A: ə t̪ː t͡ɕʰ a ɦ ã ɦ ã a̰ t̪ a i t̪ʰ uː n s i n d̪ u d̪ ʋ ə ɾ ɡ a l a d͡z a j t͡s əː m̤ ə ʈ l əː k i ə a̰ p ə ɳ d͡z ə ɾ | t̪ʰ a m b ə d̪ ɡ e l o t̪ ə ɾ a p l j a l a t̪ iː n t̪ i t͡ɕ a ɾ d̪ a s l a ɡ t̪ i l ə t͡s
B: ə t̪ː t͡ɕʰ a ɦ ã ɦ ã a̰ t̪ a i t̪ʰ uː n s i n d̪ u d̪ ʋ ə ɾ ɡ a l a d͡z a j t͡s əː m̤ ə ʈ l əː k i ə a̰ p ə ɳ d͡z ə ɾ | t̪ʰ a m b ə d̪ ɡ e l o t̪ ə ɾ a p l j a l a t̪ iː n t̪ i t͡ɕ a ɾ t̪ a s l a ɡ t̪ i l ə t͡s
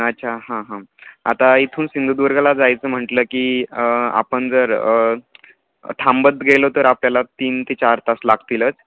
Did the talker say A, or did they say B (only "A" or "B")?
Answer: B